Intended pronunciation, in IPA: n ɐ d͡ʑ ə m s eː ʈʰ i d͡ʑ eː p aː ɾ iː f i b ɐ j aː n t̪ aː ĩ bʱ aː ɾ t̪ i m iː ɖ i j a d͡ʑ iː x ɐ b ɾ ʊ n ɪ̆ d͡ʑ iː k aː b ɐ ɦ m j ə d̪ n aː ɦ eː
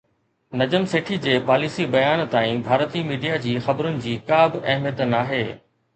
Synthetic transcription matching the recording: n ɐ d͡ʑ ə m s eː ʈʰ i d͡ʑ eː p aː l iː s i b ɐ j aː n t̪ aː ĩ bʱ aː ɾ t̪ i m iː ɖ i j a d͡ʑ iː x ɐ b ɾ ʊ n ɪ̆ d͡ʑ iː k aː b ɐ ɦ m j ə t̪ n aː ɦ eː